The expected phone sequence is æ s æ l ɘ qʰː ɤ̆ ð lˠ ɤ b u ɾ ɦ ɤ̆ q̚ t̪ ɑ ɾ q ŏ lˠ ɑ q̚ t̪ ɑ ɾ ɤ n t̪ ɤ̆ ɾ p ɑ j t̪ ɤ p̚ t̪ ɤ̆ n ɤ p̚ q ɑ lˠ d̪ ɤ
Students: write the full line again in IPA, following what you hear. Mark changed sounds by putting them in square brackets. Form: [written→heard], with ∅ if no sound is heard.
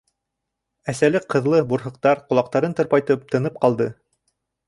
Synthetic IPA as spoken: æ s æ l ɘ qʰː ɤ̆ ð lˠ ɤ b u ɾ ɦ ɤ̆ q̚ t̪ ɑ ɾ q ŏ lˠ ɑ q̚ t̪ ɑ ɾ ɤ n t̪ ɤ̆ ɾ p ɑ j t̪ ɤ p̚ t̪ ɤ̆ n ɤ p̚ q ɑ lˠ d̪ ɤ